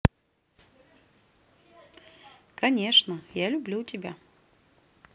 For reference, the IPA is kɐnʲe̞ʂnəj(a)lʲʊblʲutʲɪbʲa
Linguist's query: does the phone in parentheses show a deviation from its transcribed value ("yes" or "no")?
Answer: no